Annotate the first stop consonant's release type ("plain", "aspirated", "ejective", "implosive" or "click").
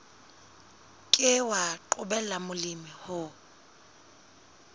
ejective